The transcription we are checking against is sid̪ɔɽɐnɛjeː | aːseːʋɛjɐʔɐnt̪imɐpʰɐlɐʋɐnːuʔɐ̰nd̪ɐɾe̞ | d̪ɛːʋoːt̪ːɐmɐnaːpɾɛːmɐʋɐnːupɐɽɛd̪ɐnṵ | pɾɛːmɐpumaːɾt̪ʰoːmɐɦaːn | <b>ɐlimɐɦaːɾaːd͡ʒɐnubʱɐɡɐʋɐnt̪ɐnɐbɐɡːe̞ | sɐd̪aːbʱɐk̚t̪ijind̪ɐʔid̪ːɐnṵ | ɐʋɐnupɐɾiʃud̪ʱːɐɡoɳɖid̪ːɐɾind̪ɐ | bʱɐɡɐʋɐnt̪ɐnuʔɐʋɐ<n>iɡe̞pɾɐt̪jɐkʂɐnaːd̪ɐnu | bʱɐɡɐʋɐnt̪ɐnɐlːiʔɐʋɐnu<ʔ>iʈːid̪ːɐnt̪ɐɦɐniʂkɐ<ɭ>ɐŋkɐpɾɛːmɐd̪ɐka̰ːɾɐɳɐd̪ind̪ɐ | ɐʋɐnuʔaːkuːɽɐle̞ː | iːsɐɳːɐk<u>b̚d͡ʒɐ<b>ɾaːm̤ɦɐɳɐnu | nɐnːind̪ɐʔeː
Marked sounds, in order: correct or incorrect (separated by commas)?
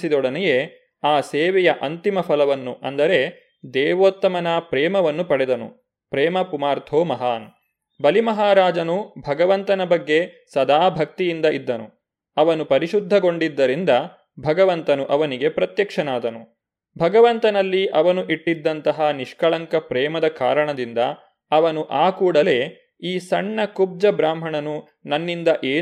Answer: correct, correct, correct, correct, correct, correct